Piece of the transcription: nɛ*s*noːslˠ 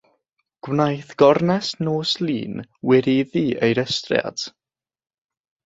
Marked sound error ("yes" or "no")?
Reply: no